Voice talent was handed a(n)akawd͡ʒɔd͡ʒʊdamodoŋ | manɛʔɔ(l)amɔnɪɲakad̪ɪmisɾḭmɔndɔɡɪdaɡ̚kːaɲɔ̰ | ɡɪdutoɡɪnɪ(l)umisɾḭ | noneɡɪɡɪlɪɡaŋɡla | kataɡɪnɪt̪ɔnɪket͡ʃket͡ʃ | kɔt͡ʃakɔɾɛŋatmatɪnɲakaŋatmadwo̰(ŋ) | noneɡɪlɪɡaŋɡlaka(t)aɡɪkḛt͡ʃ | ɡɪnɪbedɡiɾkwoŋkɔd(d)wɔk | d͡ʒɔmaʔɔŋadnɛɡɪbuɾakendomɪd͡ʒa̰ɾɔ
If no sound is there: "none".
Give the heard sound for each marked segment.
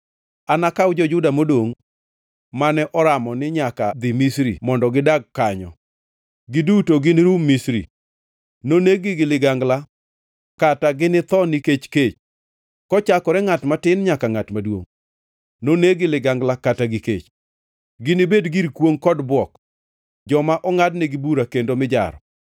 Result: n, ɾ, ɾ, ŋ, t, b

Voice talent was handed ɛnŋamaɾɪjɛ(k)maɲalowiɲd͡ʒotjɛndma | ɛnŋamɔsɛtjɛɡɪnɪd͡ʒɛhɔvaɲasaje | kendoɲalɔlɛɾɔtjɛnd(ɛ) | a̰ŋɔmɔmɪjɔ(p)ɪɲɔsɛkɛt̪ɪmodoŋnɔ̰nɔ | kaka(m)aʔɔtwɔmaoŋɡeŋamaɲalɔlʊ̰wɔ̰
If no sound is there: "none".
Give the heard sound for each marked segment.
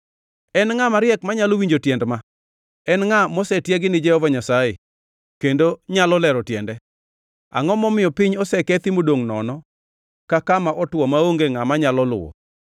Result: k, ɛ, p, m

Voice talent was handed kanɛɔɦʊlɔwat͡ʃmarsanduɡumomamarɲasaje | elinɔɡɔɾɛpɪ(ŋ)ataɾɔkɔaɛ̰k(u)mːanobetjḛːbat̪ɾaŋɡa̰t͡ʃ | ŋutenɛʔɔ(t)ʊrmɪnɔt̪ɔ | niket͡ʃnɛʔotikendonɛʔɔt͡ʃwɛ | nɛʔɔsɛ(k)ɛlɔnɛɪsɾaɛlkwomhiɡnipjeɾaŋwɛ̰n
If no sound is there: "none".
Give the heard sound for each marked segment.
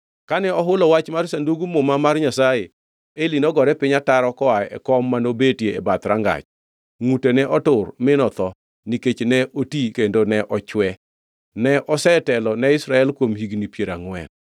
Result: ɲ, ɔ, t, t

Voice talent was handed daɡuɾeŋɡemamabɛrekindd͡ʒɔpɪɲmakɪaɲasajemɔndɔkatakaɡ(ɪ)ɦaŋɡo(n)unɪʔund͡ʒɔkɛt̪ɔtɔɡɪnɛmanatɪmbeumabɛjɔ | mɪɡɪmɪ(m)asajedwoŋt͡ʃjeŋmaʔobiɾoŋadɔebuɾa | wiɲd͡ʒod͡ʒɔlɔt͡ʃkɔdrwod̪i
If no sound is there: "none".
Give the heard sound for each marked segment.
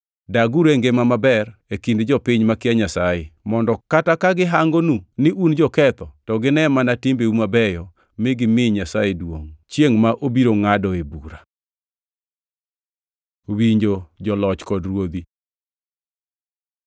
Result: ɪ, n, ɲ

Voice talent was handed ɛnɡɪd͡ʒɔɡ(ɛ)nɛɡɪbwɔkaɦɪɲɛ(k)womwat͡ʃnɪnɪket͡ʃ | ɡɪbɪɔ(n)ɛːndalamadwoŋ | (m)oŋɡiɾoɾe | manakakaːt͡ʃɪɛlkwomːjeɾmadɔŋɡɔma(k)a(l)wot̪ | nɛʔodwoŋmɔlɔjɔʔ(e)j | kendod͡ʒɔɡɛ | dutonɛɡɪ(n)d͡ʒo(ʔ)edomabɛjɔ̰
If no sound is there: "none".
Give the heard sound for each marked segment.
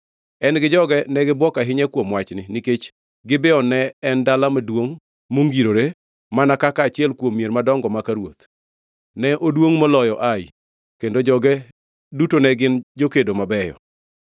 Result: ɛ, k, n, m, k, ɾ, a, n, k

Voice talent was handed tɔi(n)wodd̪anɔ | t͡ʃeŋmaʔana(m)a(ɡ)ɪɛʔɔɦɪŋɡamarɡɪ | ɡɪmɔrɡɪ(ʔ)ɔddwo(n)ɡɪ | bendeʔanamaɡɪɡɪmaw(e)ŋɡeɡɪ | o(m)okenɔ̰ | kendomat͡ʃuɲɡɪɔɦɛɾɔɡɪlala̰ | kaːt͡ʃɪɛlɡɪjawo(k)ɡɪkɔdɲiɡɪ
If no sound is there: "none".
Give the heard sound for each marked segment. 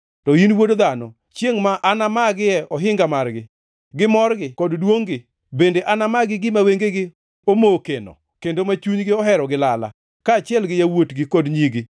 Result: n, m, ɡ, k, ŋ, e, m, t

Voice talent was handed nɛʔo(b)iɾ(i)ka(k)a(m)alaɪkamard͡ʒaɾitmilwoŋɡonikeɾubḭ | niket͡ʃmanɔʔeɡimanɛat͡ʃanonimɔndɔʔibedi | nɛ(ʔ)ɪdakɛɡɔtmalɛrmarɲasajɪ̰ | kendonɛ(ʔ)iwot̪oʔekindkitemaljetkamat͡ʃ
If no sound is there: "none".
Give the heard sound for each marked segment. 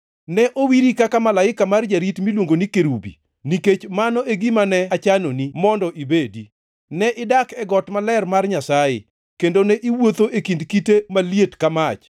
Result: w, i, k, m, ʔ, ʔ

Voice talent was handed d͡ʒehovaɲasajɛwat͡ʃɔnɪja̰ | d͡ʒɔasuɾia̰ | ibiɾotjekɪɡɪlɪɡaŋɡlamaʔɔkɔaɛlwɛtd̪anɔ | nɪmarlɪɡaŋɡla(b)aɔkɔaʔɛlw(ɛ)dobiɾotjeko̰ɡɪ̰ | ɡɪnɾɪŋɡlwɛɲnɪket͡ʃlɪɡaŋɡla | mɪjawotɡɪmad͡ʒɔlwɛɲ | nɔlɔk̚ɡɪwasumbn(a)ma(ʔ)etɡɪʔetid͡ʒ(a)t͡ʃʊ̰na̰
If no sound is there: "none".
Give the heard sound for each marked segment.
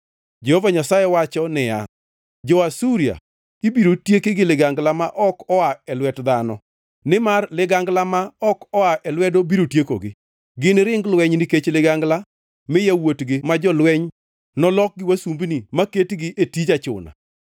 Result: m, ɛ, i, k, a

